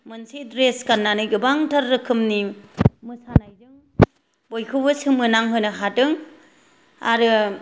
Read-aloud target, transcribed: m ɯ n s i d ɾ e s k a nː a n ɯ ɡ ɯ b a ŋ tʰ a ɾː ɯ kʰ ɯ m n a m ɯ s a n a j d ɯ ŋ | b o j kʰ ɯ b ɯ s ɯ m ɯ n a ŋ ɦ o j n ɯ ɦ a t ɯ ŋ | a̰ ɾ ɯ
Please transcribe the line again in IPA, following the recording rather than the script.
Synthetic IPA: m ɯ n s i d ɾ e s k a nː a n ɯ ɡ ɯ b a ŋ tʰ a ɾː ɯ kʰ ɯ m n i m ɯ s a n a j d ɯ ŋ | b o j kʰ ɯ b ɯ s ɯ m ɯ n a ŋ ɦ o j n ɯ ɦ a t ɯ ŋ | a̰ ɾ ɯ